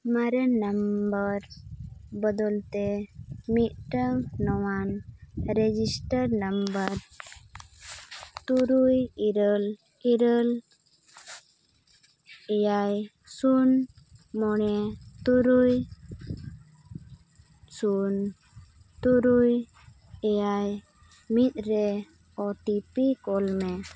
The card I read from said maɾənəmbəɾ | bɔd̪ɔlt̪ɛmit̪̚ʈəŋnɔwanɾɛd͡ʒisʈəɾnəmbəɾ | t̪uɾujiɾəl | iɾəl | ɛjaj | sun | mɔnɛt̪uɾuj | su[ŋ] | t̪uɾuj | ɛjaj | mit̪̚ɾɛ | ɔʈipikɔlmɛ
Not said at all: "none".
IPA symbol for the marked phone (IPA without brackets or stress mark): n